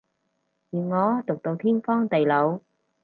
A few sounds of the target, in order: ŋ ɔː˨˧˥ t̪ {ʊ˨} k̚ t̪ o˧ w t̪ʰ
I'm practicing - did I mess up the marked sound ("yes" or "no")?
no